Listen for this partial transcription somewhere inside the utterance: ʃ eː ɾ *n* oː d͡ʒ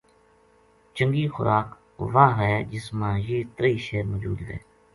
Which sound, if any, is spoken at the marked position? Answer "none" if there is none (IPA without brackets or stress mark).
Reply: m